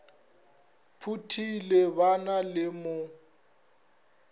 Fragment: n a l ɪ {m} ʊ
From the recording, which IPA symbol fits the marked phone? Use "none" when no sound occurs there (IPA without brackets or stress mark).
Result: m